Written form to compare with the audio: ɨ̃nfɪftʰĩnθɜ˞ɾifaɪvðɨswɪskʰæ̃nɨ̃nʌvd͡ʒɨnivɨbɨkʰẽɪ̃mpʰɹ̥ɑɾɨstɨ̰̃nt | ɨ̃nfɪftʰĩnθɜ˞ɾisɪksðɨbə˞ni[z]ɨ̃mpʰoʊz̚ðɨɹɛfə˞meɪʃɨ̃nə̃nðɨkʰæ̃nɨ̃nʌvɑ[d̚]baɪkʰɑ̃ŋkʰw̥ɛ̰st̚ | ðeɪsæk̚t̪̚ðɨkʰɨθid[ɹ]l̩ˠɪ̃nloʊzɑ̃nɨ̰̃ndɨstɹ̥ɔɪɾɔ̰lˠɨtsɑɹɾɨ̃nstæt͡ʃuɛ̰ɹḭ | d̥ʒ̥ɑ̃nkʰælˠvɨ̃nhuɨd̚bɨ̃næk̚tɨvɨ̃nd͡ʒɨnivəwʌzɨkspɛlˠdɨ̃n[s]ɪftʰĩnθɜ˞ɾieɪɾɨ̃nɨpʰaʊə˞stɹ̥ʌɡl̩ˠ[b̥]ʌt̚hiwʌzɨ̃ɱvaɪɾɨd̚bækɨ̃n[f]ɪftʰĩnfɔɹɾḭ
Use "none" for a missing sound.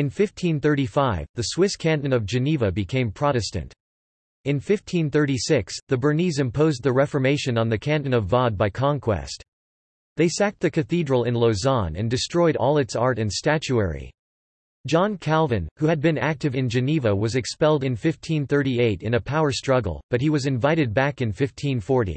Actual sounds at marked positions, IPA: z, d̚, ɹ, f, b̥, f

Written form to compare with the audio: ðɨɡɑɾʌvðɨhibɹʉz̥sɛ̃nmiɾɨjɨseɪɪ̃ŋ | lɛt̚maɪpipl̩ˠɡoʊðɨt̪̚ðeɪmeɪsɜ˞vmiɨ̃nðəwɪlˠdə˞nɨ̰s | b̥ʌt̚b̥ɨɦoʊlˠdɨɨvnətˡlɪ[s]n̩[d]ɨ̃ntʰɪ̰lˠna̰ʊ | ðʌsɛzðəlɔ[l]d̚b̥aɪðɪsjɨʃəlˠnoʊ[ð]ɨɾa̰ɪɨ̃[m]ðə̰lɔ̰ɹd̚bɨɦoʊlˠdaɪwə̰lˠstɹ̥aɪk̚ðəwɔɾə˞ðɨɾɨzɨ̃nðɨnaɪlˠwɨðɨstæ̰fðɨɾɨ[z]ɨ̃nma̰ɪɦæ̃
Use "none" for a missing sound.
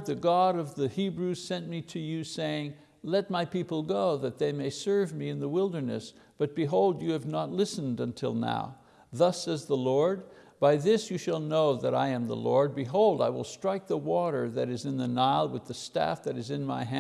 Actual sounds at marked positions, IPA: s, d, ɹ, ð, m, z

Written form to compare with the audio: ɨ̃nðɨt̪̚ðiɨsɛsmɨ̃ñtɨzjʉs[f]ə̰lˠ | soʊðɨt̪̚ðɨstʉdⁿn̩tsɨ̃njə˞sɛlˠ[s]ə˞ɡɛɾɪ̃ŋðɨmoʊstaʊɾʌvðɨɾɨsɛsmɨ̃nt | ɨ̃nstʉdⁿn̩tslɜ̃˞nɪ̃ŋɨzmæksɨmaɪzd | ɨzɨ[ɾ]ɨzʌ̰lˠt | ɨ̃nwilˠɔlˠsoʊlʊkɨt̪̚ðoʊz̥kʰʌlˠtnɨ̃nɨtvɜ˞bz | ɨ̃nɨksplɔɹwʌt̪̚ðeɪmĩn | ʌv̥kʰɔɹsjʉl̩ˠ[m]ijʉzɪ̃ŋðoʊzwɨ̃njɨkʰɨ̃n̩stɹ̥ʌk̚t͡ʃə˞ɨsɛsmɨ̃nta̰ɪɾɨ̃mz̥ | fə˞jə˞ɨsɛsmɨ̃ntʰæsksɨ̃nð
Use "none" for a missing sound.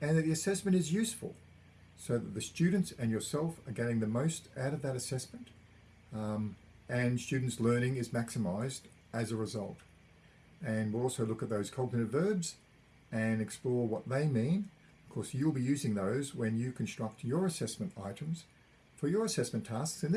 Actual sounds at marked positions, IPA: f, f, ɹ, b

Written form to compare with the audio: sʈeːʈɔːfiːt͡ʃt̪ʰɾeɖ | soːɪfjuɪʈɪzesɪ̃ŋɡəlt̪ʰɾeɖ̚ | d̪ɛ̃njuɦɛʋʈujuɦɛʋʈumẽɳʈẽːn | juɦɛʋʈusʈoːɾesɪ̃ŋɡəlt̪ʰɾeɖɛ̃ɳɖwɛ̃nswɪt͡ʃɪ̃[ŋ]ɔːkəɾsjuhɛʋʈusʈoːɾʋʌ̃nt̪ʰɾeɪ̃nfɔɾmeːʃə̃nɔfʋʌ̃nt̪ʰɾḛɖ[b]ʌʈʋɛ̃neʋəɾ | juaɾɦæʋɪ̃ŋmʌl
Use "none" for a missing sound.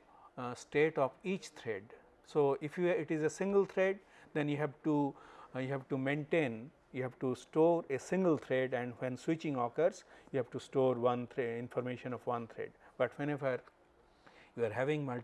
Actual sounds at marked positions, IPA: ŋ, b

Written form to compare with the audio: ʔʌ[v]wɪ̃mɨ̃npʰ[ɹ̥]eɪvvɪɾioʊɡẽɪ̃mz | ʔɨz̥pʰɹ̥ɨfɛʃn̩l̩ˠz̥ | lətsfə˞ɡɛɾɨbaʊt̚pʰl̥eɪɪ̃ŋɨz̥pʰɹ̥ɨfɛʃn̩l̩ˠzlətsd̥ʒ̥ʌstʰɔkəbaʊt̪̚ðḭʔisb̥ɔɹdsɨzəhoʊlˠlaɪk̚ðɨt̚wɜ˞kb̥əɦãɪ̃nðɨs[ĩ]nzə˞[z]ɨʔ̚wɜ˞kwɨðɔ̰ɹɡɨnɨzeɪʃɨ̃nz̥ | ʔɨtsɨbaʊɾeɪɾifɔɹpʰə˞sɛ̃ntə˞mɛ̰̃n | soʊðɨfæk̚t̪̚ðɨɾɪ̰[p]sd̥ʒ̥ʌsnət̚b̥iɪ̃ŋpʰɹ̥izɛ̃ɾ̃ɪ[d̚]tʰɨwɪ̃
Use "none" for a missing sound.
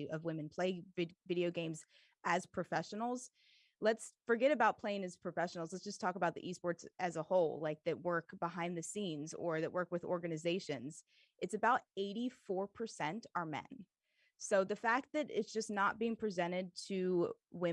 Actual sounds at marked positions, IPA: v, l̥, ĩ, ð, t, d̚

